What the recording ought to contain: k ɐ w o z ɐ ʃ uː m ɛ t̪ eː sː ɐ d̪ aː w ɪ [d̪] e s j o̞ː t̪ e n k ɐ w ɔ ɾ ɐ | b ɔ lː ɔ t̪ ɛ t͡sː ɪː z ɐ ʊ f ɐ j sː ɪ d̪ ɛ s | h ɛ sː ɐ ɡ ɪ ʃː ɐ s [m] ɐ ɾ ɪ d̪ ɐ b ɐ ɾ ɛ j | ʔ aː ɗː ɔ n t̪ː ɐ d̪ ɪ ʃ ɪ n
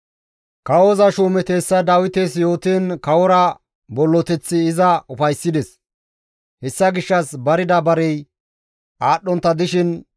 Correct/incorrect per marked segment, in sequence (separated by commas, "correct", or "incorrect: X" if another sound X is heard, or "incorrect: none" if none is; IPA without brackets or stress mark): incorrect: t̪, incorrect: b